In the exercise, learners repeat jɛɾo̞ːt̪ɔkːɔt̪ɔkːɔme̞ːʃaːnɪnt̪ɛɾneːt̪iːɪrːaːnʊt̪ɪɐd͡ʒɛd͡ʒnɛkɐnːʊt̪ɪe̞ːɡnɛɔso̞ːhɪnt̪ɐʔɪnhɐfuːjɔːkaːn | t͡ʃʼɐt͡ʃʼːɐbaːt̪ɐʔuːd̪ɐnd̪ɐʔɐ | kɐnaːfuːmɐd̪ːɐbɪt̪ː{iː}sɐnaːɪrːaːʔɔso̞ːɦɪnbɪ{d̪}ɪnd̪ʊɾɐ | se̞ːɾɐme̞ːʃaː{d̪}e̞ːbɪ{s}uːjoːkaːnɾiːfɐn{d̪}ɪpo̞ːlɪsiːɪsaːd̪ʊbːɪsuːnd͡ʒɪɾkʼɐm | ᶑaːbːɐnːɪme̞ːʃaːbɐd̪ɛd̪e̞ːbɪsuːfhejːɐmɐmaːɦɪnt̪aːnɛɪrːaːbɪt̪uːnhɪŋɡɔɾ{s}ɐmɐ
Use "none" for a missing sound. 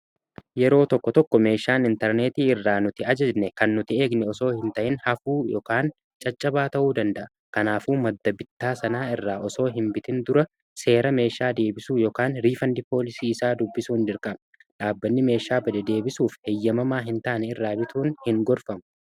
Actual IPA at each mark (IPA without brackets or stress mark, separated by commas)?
aː, t̪, d̪, s, d̪, f